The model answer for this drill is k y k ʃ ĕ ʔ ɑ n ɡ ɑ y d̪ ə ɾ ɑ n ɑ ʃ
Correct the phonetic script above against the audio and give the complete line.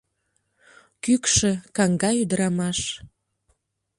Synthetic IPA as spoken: k y k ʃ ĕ k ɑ ŋ ɡ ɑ y d̪ ə ɾ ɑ m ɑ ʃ